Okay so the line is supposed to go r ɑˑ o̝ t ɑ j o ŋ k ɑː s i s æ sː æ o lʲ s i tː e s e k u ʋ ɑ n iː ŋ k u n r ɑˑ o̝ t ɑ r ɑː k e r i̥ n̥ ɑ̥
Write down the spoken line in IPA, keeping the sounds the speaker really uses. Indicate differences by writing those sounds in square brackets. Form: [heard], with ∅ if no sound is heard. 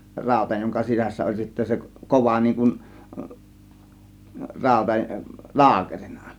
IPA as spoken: r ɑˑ o̝ t ɑ j o ŋ k [ɑ] s i s æ sː æ o lʲ s i tː [æ] s e k [o] ʋ ɑ n iː ŋ k u n r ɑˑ o̝ t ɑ [l] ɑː k e r i̥ n̥ ɑ̥